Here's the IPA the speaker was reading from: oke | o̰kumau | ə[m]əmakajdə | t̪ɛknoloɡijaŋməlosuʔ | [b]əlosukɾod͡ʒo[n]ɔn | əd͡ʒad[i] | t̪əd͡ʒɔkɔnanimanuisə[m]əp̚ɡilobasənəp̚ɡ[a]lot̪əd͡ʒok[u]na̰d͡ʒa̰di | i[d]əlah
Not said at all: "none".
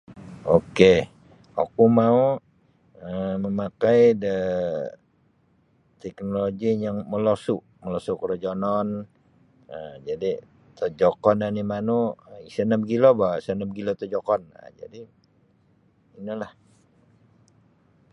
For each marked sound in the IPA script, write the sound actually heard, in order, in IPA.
m, m, n, i, n, i, ɔ, n

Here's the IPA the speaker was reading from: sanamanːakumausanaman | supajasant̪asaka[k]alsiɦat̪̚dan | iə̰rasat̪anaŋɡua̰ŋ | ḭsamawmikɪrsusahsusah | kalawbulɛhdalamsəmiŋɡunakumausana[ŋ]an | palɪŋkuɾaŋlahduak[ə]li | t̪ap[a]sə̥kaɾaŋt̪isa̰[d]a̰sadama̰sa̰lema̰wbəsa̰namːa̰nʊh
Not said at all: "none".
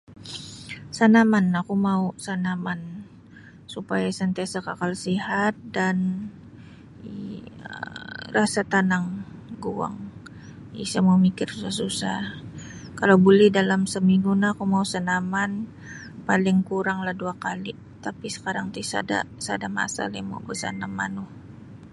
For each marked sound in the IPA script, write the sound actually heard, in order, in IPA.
k, m, a, i, d

